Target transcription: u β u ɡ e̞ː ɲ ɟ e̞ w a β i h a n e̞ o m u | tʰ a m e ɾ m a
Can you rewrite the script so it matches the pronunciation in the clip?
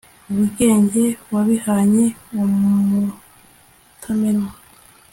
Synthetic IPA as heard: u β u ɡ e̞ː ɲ ɟ e̞ w a β i h a ɲ e̞ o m u | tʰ a m e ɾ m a